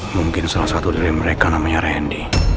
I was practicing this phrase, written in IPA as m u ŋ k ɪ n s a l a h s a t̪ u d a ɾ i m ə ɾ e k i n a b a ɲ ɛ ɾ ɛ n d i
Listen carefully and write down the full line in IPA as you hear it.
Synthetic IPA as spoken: m u ŋ k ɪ n s a l a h s a t̪ u d i ɾ i m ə ɾ e k a n a m a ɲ a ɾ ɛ n d i